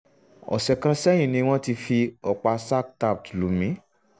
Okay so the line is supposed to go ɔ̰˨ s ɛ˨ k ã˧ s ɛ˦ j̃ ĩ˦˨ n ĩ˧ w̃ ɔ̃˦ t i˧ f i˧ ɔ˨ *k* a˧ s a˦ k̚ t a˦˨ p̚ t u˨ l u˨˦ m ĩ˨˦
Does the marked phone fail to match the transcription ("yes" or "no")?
yes